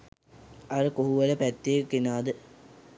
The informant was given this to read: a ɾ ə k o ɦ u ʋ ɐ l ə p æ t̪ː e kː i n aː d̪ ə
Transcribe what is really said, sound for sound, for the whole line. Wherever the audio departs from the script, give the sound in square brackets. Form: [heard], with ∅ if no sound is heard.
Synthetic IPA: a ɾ ə k o ɦ u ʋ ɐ l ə p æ t̪ː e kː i n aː d̪ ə